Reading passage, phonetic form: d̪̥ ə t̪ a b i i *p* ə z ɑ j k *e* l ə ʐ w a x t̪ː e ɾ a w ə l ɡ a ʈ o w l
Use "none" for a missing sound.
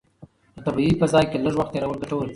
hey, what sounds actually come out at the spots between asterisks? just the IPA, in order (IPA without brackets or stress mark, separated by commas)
p, e